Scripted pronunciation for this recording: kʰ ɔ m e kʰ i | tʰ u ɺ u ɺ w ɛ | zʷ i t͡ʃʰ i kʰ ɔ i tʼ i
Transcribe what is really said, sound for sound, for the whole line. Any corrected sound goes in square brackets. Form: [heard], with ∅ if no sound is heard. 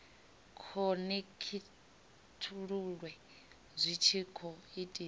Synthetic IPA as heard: kʰ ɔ [n] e kʰ i | tʰ u ɺ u ɺ w ɛ | zʷ i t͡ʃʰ i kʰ ɔ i tʼ i